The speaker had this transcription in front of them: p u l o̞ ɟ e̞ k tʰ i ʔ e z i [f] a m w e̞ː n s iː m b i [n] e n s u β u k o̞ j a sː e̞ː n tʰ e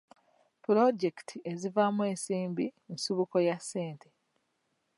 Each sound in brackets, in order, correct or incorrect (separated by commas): incorrect, incorrect